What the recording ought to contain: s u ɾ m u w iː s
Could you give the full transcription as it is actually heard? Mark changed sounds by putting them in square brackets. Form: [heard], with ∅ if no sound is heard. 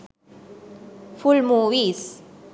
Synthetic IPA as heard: [f] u [l] m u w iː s